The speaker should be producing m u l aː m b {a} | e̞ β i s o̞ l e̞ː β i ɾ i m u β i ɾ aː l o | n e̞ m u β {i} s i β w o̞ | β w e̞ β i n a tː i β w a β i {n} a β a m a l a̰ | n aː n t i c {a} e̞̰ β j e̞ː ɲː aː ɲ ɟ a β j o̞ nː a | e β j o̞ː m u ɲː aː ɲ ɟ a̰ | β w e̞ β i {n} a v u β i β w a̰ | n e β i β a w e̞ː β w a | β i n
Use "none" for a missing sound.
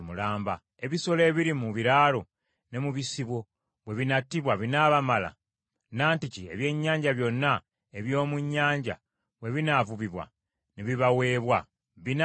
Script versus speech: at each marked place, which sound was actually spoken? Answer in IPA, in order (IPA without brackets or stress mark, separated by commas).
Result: a, i, n, i, n